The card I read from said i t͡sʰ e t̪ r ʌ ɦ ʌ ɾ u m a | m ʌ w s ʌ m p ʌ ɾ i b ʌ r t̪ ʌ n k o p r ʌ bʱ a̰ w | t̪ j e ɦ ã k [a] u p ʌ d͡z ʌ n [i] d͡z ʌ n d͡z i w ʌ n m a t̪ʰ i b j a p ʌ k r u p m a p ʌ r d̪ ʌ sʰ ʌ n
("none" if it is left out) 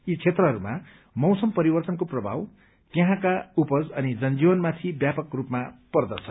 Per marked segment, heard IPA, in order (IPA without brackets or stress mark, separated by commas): a, i